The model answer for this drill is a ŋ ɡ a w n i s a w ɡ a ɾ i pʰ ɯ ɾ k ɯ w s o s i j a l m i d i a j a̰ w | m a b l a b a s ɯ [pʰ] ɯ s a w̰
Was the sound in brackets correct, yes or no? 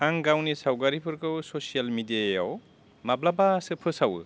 yes